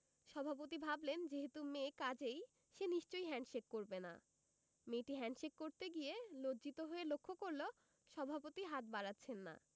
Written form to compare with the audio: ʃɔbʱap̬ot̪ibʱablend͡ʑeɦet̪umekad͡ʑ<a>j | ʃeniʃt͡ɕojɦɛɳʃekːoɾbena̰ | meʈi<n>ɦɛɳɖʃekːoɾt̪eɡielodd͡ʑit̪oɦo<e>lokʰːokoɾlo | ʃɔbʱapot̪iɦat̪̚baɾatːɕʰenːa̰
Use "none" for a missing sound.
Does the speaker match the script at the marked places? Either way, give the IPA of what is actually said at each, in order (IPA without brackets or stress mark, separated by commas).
e, none, e